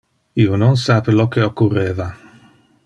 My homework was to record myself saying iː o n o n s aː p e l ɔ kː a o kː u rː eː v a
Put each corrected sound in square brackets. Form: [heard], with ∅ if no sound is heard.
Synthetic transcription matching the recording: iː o n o n s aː p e l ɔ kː [e] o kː u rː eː v a